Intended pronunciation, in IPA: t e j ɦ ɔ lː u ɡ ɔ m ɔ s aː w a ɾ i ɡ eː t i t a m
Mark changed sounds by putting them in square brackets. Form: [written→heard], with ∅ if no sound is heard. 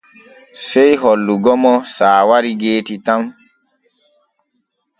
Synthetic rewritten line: [t→s] e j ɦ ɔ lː u ɡ ɔ m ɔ s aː w a ɾ i ɡ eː t i t a m